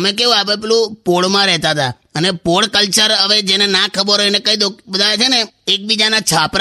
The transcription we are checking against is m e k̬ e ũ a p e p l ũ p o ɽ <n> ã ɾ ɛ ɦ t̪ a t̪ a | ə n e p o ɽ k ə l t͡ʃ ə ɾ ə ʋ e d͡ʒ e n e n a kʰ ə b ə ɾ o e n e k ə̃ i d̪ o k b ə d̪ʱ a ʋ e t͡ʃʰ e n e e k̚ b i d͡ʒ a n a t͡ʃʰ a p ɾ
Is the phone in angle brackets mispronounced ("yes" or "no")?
yes